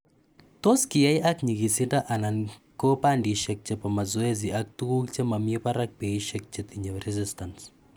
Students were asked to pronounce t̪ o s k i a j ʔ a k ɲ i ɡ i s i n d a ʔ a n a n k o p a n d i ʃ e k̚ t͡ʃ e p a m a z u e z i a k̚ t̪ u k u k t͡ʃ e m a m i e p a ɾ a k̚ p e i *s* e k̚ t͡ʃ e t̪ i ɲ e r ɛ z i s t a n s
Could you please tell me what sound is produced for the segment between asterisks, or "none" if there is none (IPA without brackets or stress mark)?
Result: ʃ